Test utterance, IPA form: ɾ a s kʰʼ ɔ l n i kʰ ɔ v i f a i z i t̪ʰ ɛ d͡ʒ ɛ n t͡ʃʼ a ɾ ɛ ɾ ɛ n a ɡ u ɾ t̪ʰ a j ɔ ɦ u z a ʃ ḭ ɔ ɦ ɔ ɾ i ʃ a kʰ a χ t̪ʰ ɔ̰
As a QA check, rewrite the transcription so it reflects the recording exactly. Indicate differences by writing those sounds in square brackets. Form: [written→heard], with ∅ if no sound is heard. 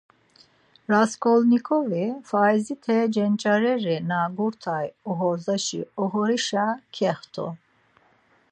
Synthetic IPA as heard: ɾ a s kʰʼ ɔ l n i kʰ ɔ v i f a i z i t̪ʰ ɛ d͡ʒ ɛ n t͡ʃʼ a ɾ ɛ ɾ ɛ n a ɡ u ɾ t̪ʰ a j ɔ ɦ [u→ɔ] z a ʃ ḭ ɔ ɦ ɔ ɾ i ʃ a kʰ [a→ɛ] χ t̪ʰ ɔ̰

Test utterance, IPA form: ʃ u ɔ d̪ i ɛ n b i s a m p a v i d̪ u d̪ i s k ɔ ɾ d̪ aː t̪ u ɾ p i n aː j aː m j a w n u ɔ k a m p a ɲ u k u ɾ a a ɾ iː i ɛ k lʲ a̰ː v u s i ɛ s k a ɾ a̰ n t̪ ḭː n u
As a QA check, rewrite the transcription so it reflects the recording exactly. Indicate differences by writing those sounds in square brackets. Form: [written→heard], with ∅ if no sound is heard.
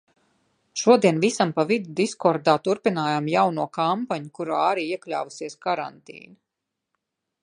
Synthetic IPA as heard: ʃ u ɔ d̪ i ɛ n [b→v] i s a m p a v i d̪ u d̪ i s k ɔ ɾ d̪ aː t̪ u ɾ p i n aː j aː m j a w n u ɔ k a m p a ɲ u k u ɾ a a ɾ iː i ɛ k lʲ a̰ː v u s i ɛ s k a ɾ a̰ n t̪ ḭː n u

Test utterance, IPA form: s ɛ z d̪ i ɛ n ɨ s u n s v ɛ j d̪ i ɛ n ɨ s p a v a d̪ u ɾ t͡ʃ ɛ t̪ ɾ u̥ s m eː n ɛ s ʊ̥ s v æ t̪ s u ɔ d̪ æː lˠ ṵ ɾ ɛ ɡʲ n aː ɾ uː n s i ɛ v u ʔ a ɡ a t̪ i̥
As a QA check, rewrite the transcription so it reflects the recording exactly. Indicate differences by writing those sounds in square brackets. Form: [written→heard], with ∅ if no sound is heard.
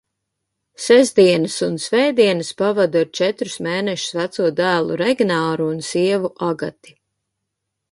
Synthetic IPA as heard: s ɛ z d̪ i ɛ n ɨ s u n s v ɛ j d̪ i ɛ n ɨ s p a v a d̪ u ɾ t͡ʃ ɛ t̪ ɾ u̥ s m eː n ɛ [s→ʃ] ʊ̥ s v æ t̪ s u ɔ d̪ æː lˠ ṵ ɾ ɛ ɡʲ n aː ɾ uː n s i ɛ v u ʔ a ɡ a t̪ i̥

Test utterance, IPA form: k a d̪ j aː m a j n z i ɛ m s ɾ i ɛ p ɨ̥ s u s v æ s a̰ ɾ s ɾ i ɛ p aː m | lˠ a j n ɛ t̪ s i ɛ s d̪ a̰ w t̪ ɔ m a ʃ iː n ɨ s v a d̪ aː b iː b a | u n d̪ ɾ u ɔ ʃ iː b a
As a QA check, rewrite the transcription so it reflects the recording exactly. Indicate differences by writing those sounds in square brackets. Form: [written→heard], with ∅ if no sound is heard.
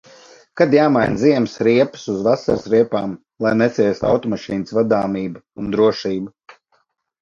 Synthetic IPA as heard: k a d̪ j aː m a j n z i ɛ m s ɾ i ɛ p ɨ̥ s u [s→z] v [æ→a] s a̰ ɾ s ɾ i ɛ p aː m | lˠ a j n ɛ t̪ s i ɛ s [d̪→t̪] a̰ w t̪ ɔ m a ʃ iː n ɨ s v a d̪ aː [b→m] iː b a | u n d̪ ɾ u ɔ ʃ iː b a

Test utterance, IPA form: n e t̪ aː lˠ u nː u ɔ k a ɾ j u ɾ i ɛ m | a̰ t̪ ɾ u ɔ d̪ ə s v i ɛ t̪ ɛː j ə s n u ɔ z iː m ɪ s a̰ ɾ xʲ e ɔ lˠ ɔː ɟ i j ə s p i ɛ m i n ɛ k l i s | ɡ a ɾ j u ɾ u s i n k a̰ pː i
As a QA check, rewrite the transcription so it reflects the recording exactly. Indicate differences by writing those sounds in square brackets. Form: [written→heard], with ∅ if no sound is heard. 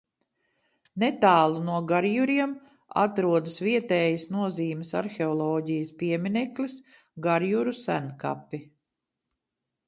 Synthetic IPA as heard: n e t̪ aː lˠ u [nː→n] u ɔ [k→ɡ] a ɾ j u ɾ i ɛ m | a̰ t̪ ɾ u ɔ d̪ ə s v i ɛ t̪ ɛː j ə s n u ɔ z iː m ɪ s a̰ ɾ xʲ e ɔ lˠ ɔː ɟ i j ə s p i ɛ m i n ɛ k l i s | ɡ a ɾ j u ɾ u s [i→æ] n k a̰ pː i

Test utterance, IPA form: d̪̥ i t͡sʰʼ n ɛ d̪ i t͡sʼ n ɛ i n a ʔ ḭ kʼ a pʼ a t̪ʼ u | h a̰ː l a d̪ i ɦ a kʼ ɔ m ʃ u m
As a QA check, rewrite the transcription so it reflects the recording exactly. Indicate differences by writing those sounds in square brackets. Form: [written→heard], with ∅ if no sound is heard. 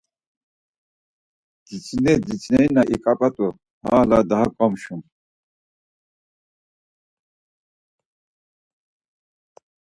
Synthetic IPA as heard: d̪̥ i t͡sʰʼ n ɛ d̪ i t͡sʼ n ɛ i n a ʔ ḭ kʼ a pʼ a t̪ʼ u | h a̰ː l a d̪ [i→a] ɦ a kʼ ɔ m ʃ u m

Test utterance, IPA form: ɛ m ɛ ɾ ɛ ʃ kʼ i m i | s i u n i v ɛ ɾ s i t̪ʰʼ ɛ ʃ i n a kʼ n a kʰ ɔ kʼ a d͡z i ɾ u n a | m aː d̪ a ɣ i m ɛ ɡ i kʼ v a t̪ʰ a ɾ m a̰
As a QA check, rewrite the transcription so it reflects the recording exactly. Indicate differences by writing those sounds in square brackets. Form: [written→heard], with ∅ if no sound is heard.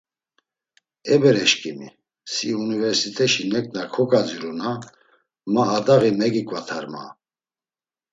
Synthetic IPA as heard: ɛ [m→b] ɛ ɾ ɛ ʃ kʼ i m i | s i u n i v ɛ ɾ s i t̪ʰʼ ɛ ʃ i n [a→ɛ] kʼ n a kʰ ɔ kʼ a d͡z i ɾ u n a | m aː d̪ a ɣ i m ɛ ɡ i kʼ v a t̪ʰ a ɾ m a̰

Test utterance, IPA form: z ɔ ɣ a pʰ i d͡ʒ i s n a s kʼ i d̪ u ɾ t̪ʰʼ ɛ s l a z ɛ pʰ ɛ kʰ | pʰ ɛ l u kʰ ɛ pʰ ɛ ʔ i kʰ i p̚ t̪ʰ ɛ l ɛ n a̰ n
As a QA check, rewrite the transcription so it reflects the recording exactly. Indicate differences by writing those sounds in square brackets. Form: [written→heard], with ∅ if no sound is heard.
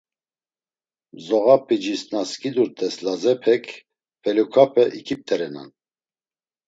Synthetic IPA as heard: z ɔ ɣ a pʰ i d͡ʒ i s n a s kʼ i d̪ u ɾ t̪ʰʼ ɛ s l a z ɛ pʰ ɛ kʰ | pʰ ɛ l u kʰ [ɛ→a] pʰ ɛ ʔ i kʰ i p̚ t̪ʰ ɛ [l→ɾ] ɛ n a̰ n

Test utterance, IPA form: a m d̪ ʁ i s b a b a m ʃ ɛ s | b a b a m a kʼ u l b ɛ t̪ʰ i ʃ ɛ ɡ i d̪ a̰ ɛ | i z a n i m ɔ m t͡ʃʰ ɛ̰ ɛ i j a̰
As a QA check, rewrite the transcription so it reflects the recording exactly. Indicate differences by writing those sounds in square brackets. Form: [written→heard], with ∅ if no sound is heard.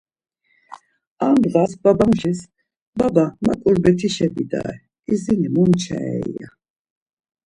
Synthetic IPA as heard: a m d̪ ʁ [i→a] s b a b a m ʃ [ɛ→i] s | b a b a m a kʼ u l b ɛ t̪ʰ i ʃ ɛ [ɡ→b] i d̪ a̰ ɛ | i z [a→i] n i m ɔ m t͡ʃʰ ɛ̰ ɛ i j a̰

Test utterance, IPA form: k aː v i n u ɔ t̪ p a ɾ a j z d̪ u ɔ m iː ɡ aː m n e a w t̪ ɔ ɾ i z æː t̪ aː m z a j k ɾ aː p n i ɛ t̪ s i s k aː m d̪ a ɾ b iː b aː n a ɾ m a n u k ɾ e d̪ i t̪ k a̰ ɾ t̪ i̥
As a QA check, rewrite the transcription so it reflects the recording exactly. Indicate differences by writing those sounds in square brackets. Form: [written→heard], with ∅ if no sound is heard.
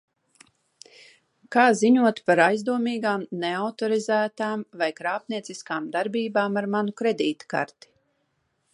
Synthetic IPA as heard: k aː [v→z] i [n→ɲ] u ɔ t̪ p a ɾ a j z d̪ u ɔ m iː ɡ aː m n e a w t̪ ɔ ɾ i z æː t̪ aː m [z→v] a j k ɾ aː p n i ɛ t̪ s i s k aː m d̪ a ɾ b iː b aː [n→m] a ɾ m a n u k ɾ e d̪ [i→iː] t̪ k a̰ ɾ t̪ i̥

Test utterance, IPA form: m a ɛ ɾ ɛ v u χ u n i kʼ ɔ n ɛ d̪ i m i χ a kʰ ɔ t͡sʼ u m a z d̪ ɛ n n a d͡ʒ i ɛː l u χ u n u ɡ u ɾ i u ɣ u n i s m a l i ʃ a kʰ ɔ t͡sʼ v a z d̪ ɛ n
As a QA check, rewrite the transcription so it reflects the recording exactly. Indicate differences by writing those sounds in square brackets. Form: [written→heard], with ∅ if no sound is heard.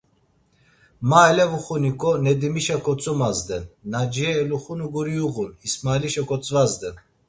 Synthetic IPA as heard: m a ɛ [ɾ→l] ɛ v u χ u n i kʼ ɔ n ɛ d̪ i m i [χ→ʃ] a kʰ ɔ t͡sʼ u m a z d̪ ɛ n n a d͡ʒ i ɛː l u χ u n u ɡ u ɾ i u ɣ u n i s m a l i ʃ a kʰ ɔ t͡sʼ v a z d̪ ɛ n

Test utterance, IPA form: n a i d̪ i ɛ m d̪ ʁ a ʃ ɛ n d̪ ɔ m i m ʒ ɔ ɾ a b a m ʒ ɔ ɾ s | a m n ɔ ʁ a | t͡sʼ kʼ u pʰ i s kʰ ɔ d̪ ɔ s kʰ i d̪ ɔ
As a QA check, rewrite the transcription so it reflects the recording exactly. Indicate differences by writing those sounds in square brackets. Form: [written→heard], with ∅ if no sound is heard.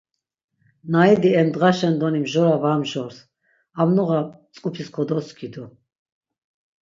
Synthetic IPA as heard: n a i d̪ i ɛ m d̪ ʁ a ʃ ɛ n d̪ ɔ [m→n] i m ʒ ɔ ɾ a [b→v] a m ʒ ɔ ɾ s | a m n ɔ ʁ a | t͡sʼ kʼ u pʰ i s kʰ ɔ d̪ ɔ s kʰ i d̪ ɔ

